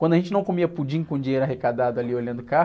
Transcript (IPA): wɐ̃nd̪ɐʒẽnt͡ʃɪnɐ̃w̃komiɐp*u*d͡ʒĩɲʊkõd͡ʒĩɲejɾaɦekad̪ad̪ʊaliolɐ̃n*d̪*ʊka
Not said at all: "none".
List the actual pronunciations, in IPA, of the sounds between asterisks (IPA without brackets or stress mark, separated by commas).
u, d̪